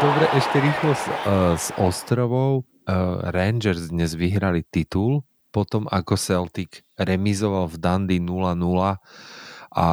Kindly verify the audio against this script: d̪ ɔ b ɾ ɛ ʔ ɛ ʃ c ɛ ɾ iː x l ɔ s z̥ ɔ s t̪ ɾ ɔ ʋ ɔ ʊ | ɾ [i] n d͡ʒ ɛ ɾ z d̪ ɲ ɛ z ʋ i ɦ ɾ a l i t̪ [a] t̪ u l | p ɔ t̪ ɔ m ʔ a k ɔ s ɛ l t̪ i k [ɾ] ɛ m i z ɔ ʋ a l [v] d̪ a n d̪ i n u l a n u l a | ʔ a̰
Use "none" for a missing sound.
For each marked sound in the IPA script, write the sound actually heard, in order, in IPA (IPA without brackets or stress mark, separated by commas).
ɛ, i, ɾ, v